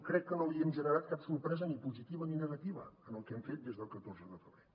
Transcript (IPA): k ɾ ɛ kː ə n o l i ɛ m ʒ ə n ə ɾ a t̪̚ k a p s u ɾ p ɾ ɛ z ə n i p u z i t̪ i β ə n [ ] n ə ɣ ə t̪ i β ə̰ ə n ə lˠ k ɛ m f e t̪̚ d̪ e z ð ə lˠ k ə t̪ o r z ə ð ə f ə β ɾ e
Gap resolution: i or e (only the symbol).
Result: i